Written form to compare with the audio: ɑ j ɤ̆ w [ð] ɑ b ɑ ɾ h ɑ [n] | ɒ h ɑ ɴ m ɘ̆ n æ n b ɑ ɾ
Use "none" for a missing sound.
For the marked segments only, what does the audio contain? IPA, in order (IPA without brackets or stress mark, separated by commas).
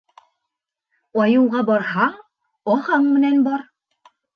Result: ʁ, none